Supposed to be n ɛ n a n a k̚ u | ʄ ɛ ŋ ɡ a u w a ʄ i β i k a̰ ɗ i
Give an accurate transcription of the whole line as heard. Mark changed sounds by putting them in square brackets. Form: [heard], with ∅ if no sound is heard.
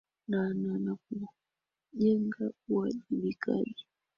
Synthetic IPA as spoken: n [a] n a n a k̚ u | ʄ ɛ ŋ ɡ a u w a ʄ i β i k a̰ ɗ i